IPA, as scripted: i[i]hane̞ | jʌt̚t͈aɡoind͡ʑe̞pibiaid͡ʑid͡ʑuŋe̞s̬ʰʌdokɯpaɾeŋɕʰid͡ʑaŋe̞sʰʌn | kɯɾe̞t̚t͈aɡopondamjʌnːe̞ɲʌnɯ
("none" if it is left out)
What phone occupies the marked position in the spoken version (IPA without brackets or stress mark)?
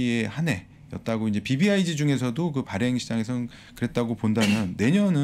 e